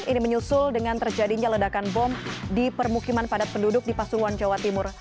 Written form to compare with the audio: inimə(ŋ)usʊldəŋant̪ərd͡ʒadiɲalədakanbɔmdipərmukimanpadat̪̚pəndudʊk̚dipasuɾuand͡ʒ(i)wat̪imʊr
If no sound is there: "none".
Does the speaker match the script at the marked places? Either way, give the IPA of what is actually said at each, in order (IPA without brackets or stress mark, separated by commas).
ɲ, a